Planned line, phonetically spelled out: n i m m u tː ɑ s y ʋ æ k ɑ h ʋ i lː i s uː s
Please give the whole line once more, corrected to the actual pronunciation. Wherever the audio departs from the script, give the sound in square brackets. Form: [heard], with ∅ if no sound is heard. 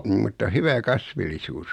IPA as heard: n i m m u tː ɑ [h] y ʋ æ k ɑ [s] ʋ i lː i s uː s